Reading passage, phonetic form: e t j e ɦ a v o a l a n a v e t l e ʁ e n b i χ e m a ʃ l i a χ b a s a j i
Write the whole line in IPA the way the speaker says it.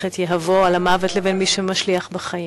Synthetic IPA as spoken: e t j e ɦ a v o a l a m a v e t l e v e n m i ʃ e m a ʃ l i a χ b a χ a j i